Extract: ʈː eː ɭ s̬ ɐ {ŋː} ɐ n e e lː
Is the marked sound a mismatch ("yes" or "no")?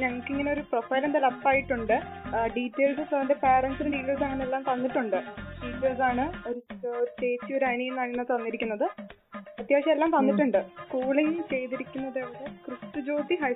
no